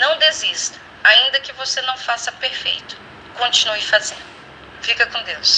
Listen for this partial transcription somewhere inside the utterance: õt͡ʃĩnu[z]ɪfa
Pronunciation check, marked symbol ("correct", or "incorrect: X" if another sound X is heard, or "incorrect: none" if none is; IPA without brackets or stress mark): incorrect: none